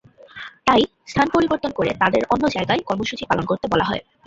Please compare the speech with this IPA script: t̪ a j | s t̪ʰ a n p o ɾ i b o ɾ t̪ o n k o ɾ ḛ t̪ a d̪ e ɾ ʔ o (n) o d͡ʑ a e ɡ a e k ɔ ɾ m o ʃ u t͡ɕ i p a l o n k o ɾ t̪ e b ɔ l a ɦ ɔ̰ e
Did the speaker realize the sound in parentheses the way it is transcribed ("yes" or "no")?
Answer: no